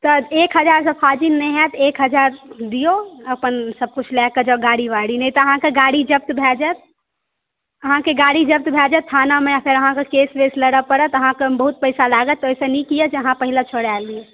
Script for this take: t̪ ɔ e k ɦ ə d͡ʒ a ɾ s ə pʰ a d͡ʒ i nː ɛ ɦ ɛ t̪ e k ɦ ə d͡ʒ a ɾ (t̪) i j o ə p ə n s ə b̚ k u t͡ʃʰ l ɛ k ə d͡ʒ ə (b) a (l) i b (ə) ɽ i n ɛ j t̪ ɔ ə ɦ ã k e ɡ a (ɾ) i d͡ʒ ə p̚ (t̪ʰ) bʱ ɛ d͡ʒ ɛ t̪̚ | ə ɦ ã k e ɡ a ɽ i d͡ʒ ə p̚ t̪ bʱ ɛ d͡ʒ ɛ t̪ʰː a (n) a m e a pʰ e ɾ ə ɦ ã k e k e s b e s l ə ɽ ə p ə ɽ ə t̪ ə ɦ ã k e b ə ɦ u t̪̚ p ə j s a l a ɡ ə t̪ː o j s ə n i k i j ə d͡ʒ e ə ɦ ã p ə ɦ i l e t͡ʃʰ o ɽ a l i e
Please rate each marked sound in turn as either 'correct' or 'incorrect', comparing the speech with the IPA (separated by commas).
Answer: incorrect, incorrect, incorrect, incorrect, incorrect, incorrect, correct